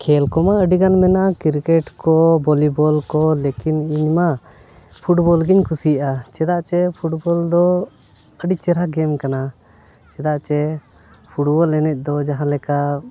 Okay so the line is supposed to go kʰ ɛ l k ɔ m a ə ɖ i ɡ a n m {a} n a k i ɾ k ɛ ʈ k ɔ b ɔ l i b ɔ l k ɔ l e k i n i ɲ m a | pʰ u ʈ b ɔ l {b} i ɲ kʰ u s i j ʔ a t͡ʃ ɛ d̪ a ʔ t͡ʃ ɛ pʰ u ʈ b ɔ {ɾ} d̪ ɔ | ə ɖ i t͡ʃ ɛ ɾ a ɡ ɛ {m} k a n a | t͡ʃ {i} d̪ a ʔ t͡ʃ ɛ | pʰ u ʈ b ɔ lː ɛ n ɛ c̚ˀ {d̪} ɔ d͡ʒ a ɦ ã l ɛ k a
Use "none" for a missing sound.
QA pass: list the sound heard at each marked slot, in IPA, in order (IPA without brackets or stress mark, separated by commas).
ɛ, ɡ, l, m, ɛ, d̪